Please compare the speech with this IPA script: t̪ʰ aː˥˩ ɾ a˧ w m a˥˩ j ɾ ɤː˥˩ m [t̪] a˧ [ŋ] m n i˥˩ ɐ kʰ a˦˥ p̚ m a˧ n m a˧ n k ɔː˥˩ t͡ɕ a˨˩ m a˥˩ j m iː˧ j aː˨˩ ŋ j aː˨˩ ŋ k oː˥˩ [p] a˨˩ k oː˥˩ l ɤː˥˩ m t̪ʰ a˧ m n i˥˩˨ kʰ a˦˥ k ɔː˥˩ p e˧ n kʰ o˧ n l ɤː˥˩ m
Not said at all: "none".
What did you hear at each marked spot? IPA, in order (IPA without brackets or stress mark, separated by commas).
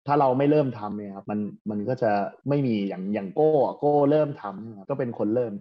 t̪ʰ, none, none